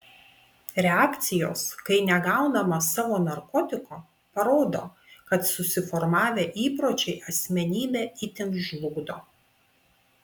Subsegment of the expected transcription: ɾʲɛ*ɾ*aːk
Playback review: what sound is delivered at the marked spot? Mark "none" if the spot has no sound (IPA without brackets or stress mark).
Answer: none